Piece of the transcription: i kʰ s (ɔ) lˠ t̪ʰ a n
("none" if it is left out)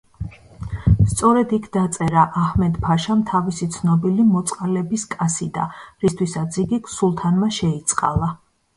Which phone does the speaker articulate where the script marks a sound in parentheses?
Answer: u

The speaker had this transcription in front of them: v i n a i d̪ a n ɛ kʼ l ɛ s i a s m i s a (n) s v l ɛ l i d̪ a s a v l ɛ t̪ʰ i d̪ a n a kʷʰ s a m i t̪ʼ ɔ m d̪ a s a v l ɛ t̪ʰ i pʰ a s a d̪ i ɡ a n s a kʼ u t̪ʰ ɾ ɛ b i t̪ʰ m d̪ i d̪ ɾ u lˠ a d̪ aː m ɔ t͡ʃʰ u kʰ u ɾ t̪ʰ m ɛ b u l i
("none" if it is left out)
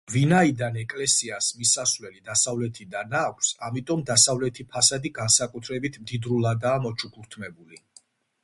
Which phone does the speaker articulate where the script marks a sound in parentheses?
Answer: none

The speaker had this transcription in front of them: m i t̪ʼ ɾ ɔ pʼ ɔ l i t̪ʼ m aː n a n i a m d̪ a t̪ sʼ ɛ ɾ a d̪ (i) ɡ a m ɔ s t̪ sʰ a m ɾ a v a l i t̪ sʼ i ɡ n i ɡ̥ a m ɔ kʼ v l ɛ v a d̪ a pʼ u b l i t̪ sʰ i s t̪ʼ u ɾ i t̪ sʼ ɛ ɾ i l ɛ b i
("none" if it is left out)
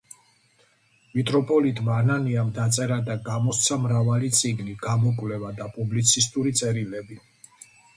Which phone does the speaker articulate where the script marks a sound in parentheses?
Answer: a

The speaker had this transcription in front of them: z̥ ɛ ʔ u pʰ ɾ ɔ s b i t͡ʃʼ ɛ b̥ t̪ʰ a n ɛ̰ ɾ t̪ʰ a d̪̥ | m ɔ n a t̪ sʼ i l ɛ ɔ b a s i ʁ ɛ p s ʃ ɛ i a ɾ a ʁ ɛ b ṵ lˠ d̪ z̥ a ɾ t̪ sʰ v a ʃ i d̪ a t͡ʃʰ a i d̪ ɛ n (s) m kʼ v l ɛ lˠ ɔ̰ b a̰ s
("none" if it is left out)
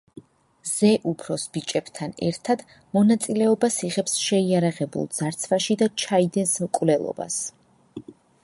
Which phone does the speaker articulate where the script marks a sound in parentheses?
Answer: s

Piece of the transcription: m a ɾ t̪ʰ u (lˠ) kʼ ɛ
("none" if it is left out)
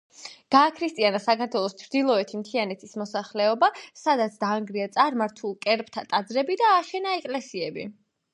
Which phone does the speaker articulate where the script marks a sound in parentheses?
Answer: lˠ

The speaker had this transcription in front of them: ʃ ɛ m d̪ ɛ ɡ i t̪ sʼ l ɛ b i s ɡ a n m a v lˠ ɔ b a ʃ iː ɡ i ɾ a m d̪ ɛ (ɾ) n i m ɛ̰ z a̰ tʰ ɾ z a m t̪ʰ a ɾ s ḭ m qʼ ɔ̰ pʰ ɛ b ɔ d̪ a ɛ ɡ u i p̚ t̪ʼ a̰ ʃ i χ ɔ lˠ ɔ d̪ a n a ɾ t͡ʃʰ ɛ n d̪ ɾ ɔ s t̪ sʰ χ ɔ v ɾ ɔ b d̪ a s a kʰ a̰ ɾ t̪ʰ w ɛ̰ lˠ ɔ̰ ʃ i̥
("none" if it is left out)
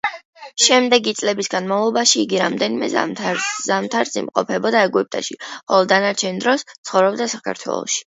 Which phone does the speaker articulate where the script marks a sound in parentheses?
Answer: none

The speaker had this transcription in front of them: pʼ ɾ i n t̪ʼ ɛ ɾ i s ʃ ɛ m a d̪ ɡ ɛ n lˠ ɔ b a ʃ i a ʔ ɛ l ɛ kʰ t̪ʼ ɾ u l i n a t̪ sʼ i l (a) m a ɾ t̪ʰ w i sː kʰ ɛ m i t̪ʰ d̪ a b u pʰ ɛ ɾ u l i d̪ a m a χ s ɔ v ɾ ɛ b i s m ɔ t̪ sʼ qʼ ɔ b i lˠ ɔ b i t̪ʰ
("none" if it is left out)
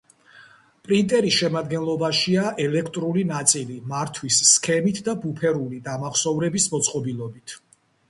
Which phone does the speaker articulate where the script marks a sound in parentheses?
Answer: i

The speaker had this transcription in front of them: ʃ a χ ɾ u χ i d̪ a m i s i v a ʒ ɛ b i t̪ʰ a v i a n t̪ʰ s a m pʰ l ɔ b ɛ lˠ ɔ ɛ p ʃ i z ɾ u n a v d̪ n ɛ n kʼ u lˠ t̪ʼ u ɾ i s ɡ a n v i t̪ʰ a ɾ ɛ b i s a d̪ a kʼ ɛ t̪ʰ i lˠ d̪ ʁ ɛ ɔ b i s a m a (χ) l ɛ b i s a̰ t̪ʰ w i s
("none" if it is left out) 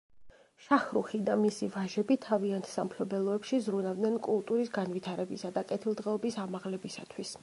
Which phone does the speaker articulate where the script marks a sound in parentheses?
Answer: ʁ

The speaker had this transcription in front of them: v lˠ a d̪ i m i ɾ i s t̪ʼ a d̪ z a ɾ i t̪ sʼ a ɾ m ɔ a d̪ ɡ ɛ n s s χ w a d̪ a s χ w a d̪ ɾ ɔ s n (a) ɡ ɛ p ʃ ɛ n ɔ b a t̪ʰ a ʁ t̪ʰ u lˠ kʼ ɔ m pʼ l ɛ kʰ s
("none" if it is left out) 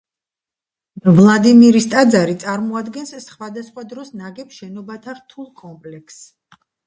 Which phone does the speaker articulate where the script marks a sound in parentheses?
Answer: a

